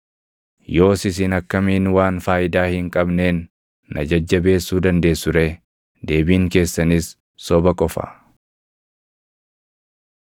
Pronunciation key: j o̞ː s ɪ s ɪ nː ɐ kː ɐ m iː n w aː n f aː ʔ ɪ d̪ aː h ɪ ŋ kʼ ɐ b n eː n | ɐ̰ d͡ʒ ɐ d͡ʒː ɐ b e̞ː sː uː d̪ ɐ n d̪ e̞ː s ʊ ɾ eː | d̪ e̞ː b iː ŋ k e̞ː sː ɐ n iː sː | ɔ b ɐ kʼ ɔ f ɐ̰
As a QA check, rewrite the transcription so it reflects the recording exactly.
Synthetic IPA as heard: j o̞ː s ɪ s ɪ n ɐ kː ɐ m iː n w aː n f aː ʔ ɪ d̪ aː h ɪ ŋ kʼ ɐ b n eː nː | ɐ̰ d͡ʒ ɐ d͡ʒː ɐ b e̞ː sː uː d̪ ɐ n d̪ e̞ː s ʊ ɾ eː | d̪ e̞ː b iː ŋ k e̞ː sː ɐ n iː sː | ɔ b ɐ kʼ ɔ f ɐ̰